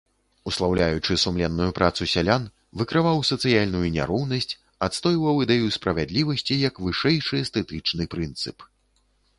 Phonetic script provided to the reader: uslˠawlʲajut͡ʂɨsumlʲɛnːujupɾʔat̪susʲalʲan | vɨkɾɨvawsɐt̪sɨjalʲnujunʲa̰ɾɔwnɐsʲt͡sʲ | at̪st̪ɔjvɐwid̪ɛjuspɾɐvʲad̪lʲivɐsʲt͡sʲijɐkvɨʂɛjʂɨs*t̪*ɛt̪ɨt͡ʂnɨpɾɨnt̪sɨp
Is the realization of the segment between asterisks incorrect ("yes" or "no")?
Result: no